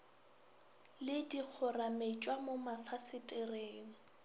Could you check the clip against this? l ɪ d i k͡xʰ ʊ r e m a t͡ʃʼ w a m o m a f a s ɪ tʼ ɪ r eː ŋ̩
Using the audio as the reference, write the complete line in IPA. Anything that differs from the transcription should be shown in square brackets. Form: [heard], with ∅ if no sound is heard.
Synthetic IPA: l ɪ d i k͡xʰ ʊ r [a] m [e] t͡ʃʼ w a m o m a f a s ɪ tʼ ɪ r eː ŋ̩